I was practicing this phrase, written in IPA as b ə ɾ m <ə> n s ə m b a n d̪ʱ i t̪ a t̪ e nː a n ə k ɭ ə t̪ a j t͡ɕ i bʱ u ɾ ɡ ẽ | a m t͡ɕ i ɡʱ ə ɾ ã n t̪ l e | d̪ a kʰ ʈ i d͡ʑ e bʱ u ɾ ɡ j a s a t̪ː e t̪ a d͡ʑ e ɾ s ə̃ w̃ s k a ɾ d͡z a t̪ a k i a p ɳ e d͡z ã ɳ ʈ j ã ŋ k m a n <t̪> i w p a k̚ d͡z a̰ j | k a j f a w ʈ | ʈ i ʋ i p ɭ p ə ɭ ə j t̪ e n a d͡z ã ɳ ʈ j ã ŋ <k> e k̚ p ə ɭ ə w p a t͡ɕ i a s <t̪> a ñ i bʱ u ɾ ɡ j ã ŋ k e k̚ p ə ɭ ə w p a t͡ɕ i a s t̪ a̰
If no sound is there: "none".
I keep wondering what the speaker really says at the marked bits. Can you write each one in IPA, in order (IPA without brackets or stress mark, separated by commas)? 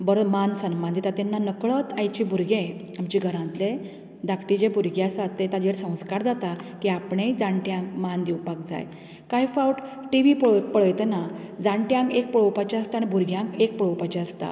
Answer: a, d̪, k, t̪